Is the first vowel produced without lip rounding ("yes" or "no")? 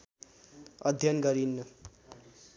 yes